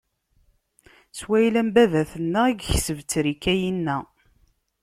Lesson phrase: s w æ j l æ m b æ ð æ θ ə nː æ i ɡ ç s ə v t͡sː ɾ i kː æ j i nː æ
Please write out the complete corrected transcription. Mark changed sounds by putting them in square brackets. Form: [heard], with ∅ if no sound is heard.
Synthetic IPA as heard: s w æ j l æ m b æ ð æ θ ə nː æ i ɡ ç s ə v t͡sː ɾ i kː æ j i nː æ

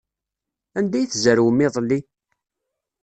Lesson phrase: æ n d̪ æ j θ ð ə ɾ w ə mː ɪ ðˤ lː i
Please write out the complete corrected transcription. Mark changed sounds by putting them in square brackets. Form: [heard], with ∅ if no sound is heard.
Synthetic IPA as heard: æ n d̪ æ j θ [z] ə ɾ w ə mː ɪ ðˤ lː i

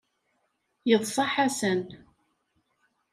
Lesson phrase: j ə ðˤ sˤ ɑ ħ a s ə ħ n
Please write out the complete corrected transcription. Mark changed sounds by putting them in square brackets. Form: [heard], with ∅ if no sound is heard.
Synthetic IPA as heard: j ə ðˤ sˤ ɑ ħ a s ə [∅] n

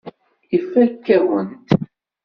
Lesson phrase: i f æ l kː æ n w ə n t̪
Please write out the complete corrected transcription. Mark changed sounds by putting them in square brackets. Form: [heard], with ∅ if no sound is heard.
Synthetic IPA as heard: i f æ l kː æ [∅] w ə n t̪

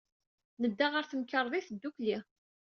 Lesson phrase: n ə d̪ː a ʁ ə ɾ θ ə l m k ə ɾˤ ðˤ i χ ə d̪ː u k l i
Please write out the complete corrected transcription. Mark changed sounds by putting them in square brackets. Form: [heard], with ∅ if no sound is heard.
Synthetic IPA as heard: n ə d̪ː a ʁ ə ɾ θ ə [∅] m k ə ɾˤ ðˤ i [θ] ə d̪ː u k l i

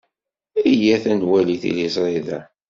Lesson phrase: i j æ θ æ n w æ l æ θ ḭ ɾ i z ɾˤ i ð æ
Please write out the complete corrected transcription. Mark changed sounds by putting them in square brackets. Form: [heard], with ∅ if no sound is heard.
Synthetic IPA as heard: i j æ θ æ n w æ l [i] θ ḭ [l] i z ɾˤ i ð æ

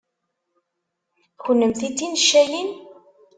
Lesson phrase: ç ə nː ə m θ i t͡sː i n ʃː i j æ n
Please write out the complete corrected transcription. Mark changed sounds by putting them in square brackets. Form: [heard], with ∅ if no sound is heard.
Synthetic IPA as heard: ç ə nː ə m θ i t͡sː i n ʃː [æ] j [i] n

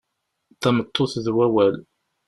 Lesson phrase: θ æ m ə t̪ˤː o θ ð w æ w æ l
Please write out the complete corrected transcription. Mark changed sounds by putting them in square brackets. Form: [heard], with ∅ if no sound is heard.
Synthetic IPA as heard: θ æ m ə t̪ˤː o θ ð w æ w æ l

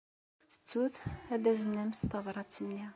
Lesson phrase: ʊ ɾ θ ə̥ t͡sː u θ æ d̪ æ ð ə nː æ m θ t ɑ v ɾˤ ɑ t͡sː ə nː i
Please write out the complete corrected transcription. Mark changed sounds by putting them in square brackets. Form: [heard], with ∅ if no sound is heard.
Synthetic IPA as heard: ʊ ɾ θ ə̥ t͡sː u θ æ d̪ æ [z] ə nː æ m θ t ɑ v ɾˤ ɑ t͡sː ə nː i

